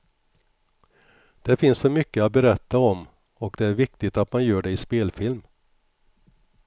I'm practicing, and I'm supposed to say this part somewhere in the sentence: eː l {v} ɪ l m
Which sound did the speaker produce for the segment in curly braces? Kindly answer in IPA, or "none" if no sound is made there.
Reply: f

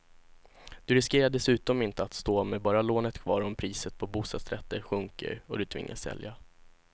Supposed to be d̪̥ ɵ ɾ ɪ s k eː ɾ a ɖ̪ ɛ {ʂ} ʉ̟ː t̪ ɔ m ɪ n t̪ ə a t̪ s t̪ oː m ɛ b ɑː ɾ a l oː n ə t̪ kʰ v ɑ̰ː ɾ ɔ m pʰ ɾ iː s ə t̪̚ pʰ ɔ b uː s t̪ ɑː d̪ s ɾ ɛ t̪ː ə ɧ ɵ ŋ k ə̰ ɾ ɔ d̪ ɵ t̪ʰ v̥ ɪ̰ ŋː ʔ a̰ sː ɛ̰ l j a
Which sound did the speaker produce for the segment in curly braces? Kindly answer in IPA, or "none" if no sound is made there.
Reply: s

